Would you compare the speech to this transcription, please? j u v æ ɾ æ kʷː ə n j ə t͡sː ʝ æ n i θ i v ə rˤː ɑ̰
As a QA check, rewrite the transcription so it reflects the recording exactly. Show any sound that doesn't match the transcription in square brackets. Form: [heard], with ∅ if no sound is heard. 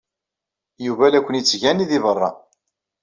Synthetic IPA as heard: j u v æ [l] æ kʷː ə n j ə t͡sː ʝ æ n i [ð] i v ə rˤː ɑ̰